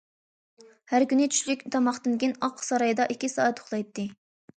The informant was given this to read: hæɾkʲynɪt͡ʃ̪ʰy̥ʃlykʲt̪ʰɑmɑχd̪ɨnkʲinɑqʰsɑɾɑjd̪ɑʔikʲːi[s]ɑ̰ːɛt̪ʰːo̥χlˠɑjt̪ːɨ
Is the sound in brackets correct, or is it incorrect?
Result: correct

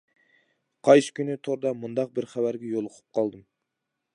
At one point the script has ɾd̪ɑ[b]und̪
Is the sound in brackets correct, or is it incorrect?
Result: incorrect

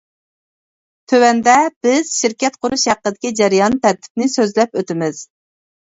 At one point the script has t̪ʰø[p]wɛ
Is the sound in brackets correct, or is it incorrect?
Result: incorrect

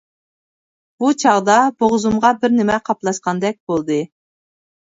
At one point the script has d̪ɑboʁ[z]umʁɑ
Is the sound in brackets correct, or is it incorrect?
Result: correct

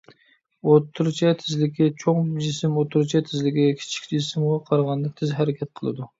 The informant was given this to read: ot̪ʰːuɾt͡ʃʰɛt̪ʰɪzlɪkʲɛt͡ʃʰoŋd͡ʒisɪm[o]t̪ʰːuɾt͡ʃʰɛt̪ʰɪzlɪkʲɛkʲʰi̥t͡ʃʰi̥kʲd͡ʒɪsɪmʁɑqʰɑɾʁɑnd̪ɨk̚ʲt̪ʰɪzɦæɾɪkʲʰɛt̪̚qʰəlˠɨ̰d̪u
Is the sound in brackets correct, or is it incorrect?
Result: correct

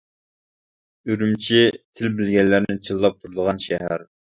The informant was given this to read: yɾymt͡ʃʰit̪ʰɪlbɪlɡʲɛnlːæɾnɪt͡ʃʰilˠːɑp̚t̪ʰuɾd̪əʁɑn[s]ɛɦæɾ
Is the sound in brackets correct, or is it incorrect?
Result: incorrect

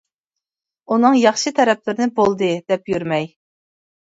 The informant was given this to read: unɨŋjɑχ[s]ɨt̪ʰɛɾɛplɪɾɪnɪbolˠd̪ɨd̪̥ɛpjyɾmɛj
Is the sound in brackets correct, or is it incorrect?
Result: incorrect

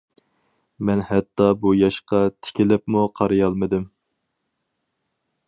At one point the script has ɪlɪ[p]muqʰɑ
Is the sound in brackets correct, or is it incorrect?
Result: correct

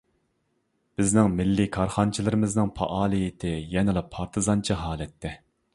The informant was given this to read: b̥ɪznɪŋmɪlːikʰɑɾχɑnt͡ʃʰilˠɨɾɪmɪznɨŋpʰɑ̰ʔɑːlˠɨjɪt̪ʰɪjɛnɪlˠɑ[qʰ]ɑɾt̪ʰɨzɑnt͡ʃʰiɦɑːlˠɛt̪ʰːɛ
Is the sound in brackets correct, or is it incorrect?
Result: incorrect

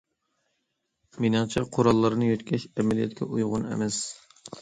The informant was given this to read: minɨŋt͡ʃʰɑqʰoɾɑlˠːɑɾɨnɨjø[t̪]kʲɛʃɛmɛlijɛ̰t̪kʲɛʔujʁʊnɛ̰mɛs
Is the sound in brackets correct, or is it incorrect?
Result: correct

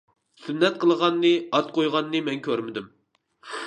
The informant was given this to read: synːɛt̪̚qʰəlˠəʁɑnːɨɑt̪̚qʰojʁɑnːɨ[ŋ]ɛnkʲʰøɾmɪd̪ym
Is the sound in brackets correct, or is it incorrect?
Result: incorrect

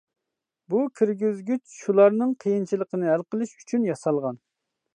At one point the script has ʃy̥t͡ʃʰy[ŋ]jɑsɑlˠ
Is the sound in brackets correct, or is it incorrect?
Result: incorrect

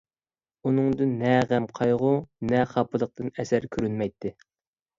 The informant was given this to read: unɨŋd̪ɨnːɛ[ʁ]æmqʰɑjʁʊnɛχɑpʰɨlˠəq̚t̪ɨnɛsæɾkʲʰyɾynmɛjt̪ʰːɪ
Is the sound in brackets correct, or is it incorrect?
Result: correct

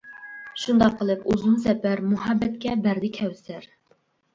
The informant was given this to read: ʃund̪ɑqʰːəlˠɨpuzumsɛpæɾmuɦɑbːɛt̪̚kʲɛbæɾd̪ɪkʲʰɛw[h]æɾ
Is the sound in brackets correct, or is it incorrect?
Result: incorrect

